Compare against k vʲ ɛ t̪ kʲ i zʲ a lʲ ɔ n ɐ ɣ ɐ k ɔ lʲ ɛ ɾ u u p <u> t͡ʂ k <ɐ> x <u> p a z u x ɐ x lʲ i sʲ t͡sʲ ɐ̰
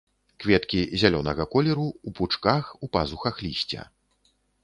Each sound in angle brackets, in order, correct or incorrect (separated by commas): correct, incorrect, correct